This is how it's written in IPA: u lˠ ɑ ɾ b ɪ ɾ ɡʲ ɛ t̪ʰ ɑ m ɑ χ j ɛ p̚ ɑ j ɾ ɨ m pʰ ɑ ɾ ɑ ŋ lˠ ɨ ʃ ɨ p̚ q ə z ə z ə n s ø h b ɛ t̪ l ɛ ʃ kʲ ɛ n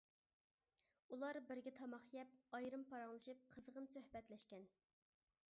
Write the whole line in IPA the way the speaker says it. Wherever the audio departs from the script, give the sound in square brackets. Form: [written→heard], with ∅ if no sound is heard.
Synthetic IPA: u lˠ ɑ ɾ b ɪ ɾ ɡʲ ɛ t̪ʰ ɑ m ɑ χ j ɛ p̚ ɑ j ɾ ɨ m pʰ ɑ ɾ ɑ ŋ lˠ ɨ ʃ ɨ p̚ [q→qʰ] ə z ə [z→ʁ] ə n s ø h b ɛ t̪ l ɛ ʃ kʲ ɛ n